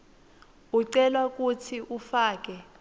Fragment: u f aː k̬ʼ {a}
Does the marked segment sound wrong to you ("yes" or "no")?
yes